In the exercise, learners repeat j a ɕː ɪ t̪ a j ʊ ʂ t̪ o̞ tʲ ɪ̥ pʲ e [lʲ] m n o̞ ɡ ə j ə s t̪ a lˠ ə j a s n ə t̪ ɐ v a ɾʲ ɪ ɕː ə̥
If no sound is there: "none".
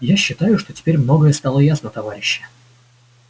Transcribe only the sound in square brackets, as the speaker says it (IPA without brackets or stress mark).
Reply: ɾʲ